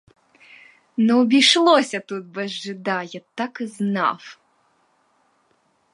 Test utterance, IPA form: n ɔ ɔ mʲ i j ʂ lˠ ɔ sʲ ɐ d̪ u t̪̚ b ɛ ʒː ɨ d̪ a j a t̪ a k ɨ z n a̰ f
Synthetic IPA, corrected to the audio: n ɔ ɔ bʲ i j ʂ lˠ ɔ sʲ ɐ t̪ u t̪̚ b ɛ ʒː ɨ d̪ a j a t̪ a k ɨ z n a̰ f